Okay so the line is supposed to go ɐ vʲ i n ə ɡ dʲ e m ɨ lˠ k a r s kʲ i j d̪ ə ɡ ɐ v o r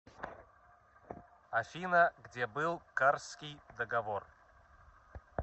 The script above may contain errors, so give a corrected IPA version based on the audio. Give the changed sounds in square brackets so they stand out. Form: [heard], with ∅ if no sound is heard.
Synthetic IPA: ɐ [fʲ] i n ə ɡ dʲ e [b] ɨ lˠ k a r s kʲ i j d̪ ə ɡ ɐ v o r